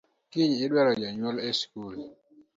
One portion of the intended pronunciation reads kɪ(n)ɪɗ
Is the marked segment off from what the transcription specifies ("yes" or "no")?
yes